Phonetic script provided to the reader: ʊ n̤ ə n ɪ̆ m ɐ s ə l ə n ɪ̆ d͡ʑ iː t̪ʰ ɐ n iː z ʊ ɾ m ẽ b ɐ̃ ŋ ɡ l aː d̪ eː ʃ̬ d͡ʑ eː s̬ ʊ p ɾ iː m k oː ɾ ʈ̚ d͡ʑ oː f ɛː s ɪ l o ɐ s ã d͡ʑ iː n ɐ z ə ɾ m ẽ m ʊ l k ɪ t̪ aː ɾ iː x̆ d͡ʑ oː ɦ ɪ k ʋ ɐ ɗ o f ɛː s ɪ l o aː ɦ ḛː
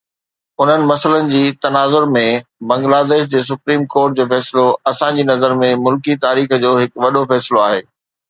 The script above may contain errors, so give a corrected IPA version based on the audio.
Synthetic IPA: ʊ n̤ ə n ɪ̆ m ɐ s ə l ə n ɪ̆ d͡ʑ iː t̪ ɐ n aː z ʊ ɾ m ẽ b ɐ̃ ŋ ɡ l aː d̪ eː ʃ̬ d͡ʑ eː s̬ ʊ p ɾ iː m k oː ɾ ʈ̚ d͡ʑ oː f ɛː s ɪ l o ɐ s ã d͡ʑ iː n ɐ z ə ɾ m ẽ m ʊ l k i t̪ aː ɾ iː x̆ d͡ʑ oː ɦ ɪ k ʋ ɐ ɗ o f ɛː s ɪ l o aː ɦ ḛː